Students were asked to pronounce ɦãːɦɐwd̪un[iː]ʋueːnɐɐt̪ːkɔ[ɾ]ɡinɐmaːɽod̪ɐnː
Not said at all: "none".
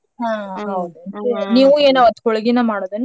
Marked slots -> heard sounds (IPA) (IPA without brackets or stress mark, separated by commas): iː, ɭ